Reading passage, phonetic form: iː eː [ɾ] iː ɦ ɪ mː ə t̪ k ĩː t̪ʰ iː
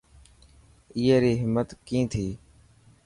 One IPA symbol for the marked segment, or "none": ɾ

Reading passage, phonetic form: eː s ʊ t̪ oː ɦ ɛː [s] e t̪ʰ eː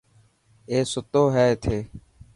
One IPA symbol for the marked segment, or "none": none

